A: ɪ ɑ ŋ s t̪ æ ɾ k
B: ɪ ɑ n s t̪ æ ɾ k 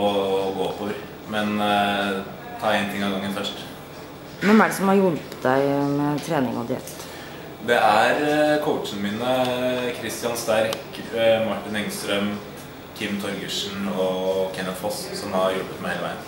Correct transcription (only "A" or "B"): B